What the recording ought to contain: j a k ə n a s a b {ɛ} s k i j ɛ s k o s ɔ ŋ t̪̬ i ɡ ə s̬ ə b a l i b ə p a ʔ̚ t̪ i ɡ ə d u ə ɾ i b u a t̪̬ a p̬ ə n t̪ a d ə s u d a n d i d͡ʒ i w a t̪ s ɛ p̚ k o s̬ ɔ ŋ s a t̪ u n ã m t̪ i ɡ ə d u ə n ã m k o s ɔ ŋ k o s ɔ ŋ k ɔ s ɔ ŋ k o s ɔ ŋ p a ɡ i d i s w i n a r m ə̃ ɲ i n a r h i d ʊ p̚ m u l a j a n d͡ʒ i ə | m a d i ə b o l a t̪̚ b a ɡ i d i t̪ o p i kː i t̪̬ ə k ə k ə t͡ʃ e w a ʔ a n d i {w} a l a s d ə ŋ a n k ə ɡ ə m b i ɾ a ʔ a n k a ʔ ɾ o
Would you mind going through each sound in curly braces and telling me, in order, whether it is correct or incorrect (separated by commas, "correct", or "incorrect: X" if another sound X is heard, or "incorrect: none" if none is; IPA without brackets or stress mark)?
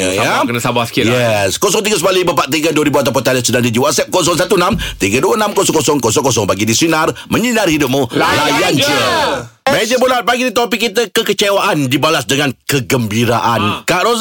incorrect: a, incorrect: b